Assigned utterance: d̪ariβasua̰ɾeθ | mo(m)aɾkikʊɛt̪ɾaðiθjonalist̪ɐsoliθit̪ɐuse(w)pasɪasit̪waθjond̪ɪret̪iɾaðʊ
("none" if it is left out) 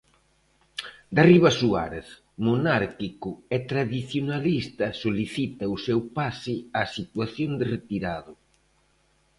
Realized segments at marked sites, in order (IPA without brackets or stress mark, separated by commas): n, w